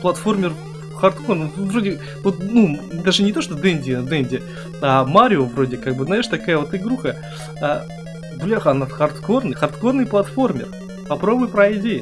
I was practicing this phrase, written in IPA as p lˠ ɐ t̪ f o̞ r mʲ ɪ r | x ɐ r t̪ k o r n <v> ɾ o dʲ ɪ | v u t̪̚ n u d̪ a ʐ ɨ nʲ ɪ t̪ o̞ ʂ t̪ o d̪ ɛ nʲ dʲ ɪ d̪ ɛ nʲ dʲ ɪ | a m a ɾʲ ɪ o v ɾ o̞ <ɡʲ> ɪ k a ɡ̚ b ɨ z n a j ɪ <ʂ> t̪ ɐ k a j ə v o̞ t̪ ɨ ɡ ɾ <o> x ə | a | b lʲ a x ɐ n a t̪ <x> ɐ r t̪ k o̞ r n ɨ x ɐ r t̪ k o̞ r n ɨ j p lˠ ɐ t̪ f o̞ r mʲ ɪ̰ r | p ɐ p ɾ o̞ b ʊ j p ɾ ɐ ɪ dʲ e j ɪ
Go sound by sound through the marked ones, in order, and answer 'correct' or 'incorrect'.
correct, incorrect: dʲ, correct, incorrect: u, correct

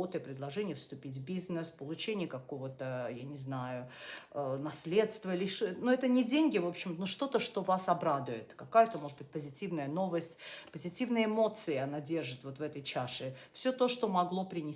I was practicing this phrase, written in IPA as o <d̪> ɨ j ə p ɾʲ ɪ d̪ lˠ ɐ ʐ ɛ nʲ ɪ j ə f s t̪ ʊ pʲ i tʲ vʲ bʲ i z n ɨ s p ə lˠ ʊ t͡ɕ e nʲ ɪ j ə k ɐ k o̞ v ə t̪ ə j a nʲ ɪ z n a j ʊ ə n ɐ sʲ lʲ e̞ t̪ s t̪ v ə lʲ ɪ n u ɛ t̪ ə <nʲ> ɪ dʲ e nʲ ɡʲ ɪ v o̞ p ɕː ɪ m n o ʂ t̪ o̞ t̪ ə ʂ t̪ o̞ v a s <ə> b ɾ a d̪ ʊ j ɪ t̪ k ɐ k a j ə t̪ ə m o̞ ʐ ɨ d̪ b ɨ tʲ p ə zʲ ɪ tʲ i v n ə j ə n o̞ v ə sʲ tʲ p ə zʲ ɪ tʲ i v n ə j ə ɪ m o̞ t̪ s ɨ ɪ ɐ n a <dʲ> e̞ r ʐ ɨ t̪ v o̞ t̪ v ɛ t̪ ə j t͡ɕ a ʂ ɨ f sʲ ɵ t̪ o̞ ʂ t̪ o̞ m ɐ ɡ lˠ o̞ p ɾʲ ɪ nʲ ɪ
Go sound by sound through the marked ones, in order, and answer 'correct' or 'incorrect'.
incorrect: t̪, correct, incorrect: ɐ, correct

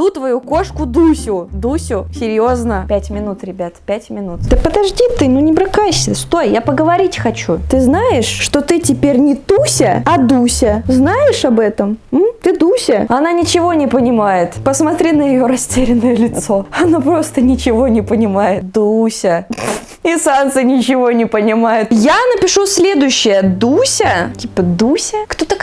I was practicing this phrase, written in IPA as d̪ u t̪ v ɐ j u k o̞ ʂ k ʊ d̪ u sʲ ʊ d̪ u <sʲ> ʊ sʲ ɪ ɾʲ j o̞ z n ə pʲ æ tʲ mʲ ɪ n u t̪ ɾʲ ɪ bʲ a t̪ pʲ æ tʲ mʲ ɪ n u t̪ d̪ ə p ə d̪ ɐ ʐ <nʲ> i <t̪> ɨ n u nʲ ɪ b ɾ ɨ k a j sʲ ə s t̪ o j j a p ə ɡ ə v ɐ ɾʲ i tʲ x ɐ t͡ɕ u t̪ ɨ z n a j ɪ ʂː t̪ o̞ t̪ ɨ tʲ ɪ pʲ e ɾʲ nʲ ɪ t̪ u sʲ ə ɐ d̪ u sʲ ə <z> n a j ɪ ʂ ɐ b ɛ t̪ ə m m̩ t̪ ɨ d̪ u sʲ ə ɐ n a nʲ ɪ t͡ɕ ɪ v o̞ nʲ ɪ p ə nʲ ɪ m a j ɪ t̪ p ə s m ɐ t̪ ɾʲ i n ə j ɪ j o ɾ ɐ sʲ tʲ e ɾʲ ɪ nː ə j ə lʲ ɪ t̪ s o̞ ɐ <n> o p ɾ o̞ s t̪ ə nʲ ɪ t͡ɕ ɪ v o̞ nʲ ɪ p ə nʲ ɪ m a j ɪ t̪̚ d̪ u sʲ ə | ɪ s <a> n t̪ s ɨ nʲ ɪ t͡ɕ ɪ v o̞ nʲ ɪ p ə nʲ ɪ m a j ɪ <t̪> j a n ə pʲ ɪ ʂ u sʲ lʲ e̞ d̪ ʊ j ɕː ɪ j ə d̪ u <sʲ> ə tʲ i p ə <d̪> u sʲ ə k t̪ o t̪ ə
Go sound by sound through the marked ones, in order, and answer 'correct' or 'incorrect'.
correct, incorrect: dʲ, correct, correct, correct, correct, correct, correct, correct

